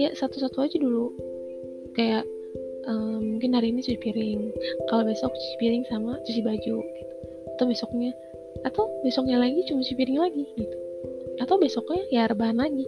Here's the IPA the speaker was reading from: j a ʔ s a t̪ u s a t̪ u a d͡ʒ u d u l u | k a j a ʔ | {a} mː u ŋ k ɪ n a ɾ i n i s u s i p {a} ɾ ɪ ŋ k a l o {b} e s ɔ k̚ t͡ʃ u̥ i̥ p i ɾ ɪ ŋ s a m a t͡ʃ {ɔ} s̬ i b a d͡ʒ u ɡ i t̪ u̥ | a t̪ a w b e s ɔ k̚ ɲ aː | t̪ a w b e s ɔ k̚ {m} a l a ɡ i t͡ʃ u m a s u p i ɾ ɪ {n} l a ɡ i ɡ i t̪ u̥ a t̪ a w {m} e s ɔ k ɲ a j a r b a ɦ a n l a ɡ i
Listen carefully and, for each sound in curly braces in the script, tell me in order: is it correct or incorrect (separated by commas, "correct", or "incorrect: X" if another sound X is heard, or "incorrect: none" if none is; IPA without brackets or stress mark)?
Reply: incorrect: ə, incorrect: i, correct, incorrect: u, incorrect: ɲ, incorrect: ŋ, incorrect: b